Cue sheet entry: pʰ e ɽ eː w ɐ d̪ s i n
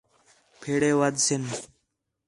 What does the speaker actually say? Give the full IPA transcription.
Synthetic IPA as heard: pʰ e ɽ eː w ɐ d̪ s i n